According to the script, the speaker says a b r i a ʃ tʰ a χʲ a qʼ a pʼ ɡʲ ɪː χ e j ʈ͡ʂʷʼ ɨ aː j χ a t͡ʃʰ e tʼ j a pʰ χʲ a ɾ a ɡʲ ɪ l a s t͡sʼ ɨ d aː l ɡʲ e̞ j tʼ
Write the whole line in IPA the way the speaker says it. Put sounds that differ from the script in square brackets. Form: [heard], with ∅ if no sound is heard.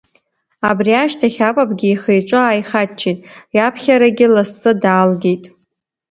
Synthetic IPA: a b r i a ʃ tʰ a χʲ a [pʼ] a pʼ ɡʲ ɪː χ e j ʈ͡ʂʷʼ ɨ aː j χ a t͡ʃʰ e tʼ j a pʰ χʲ a ɾ a ɡʲ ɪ l a s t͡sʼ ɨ d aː l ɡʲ e̞ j tʼ